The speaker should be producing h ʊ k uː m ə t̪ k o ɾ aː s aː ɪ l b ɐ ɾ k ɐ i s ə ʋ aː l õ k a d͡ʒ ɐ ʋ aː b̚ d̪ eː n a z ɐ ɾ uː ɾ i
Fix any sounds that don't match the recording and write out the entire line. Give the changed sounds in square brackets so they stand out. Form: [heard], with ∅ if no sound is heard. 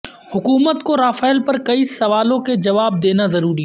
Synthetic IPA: h ʊ k uː m ə t̪ k o ɾ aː [f] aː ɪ l [p] ɐ ɾ k ɐ i s [ɐ] ʋ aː l õ k [e] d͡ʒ ɐ ʋ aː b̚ d̪ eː n a z ɐ ɾ uː ɾ i